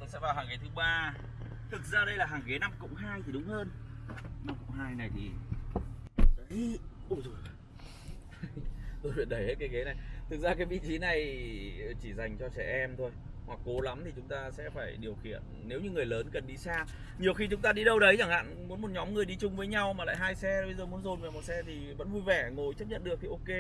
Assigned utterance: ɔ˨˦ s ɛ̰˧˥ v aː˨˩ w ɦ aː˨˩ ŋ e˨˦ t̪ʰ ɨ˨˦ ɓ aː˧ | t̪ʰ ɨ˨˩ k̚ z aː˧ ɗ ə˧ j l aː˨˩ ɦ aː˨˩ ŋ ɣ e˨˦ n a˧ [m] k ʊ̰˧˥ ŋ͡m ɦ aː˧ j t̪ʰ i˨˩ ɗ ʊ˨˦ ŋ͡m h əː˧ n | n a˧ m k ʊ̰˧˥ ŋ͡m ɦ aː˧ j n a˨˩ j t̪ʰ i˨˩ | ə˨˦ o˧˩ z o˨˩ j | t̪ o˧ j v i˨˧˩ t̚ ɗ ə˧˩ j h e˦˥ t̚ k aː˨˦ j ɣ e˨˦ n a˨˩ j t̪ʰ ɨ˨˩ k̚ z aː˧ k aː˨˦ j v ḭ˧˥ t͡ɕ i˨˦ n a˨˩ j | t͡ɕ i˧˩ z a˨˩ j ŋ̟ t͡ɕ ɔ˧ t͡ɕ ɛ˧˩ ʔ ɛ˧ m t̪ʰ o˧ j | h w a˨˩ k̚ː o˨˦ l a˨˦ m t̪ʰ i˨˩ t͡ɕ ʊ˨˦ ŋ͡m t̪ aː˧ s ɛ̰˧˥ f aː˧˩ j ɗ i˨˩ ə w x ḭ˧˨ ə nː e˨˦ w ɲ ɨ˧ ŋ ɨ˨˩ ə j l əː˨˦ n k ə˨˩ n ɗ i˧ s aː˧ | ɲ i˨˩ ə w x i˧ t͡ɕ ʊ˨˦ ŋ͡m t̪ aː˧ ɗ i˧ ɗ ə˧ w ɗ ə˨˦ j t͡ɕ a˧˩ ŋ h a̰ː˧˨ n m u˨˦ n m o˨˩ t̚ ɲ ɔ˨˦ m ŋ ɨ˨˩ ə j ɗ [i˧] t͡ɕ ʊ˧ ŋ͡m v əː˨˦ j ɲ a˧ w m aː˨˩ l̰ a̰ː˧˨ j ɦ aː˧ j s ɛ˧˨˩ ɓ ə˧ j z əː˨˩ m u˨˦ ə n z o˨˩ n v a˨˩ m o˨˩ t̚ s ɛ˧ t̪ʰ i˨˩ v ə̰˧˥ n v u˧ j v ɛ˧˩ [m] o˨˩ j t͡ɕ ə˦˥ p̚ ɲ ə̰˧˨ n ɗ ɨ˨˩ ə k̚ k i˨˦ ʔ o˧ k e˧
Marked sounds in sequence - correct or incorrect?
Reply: correct, correct, incorrect: ŋ

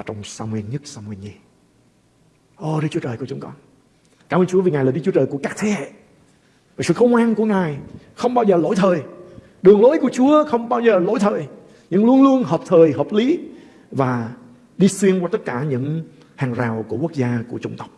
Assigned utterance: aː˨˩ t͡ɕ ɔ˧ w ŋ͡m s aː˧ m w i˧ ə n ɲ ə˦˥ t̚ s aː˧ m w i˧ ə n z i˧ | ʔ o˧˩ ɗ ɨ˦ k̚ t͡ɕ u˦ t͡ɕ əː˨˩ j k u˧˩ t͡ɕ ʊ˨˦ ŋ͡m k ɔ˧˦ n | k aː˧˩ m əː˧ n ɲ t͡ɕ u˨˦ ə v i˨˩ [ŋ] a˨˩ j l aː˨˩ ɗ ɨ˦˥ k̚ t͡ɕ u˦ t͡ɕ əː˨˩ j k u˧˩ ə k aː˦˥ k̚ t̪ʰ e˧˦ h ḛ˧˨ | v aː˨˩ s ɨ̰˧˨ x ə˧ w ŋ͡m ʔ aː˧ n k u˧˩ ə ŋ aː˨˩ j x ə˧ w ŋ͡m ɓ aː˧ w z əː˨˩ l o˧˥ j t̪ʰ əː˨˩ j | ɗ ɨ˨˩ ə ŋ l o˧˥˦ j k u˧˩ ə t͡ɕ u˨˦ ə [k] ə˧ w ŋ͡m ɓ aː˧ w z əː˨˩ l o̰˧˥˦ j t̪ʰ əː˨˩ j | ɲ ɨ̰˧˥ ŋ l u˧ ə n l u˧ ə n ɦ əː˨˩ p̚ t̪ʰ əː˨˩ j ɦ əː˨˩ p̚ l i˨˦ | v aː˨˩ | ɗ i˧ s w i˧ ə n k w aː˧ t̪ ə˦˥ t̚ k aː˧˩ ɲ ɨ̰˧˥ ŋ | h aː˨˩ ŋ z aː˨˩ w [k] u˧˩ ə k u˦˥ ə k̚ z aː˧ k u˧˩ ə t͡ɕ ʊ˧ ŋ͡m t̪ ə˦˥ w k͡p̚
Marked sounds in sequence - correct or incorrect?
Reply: correct, incorrect: x, correct

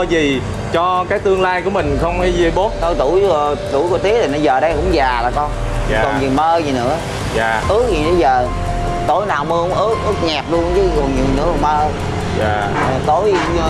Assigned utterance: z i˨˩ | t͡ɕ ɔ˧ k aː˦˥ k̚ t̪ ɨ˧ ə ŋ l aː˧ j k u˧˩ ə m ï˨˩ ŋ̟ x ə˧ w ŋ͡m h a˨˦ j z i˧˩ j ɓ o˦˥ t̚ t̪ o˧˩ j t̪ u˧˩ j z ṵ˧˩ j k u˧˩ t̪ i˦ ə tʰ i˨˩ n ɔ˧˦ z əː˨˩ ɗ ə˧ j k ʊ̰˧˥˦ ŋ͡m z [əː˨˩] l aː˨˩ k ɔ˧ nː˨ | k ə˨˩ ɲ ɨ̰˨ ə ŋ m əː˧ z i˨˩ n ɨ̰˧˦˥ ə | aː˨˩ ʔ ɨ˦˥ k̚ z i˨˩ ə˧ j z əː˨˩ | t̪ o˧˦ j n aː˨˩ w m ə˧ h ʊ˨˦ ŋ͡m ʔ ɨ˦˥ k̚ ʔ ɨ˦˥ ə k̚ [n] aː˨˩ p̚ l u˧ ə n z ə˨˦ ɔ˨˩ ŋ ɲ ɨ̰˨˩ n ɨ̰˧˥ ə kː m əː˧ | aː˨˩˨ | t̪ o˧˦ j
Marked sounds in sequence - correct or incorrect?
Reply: incorrect: aː˨˩, incorrect: ɲ

